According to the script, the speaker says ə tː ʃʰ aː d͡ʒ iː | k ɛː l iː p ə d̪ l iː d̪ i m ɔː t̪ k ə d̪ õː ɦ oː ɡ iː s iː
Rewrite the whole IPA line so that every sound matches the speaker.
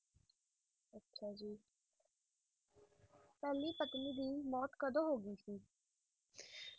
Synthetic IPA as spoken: ə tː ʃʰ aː d͡ʒ iː | p ɛː l iː p ə t̪ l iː d̪ iː m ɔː t̪ k ə d̪ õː ɦ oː ɡ iː s iː